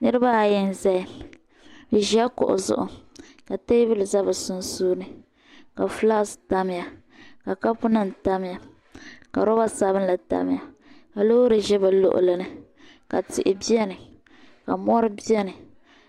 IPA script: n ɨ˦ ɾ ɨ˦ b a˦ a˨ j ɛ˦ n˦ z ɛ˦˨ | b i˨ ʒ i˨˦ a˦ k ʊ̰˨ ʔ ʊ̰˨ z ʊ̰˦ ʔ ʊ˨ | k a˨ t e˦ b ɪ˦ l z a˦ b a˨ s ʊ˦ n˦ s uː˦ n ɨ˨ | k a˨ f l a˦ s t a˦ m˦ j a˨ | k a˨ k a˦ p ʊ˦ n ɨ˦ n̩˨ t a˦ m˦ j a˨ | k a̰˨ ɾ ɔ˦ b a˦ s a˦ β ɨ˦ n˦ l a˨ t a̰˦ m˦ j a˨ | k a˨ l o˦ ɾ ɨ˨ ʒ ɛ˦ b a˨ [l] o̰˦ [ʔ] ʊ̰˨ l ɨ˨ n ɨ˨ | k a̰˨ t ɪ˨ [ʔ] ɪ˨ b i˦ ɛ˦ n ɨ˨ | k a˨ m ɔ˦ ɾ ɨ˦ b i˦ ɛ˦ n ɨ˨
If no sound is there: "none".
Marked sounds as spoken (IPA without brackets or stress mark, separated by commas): l, ʔ, ʔ